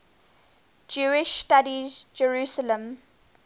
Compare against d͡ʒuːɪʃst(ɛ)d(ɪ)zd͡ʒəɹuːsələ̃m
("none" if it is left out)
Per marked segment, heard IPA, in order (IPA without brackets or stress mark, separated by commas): a, i